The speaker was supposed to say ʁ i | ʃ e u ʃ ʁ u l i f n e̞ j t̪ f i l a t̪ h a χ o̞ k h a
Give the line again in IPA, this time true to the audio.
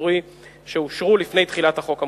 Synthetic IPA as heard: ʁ i | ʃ e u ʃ ʁ u l i f n e̞ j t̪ χ i l a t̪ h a χ o̞ k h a